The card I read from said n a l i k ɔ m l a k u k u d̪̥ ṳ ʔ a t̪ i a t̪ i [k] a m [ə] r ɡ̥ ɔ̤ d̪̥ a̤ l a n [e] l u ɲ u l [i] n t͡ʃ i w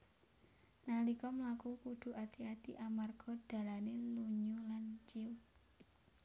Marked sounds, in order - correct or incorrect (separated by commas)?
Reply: incorrect, incorrect, correct, incorrect